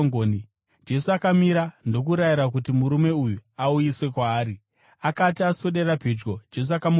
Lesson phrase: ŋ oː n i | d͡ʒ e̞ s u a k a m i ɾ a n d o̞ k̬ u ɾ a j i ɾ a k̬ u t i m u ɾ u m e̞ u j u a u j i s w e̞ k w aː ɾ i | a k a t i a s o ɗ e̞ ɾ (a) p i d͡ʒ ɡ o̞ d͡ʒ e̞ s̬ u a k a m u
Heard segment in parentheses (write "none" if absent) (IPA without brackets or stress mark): a